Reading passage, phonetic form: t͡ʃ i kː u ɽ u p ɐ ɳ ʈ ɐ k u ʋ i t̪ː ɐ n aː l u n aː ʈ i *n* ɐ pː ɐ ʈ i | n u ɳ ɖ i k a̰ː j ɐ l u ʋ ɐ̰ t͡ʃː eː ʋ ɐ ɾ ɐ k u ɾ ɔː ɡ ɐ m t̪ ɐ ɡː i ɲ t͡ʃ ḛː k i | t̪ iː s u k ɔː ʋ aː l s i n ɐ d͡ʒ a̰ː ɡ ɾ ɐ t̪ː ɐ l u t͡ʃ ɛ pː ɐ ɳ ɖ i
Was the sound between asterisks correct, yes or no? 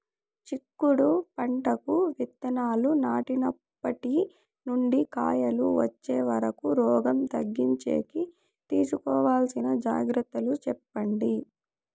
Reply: yes